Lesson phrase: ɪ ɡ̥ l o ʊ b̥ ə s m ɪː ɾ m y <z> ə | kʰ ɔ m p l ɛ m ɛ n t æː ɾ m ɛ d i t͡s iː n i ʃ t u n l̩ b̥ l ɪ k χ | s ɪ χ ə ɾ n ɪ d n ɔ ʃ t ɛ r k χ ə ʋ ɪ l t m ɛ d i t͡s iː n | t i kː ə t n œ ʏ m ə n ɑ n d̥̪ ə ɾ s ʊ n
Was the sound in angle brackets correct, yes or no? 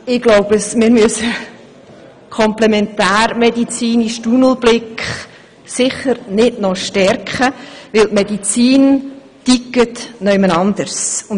no